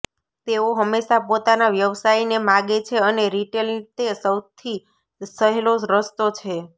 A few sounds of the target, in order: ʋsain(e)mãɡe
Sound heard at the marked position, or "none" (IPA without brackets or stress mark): e